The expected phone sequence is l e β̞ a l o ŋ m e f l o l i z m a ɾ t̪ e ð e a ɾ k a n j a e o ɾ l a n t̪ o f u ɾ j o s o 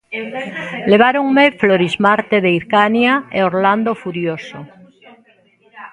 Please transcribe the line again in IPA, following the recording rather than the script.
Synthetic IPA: l e β̞ a ɾ o ŋ m e f l o ɾ i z m a ɾ t̪ e ð e i ɾ k a n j a e o ɾ l a n d̪ o f u ɾ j o s o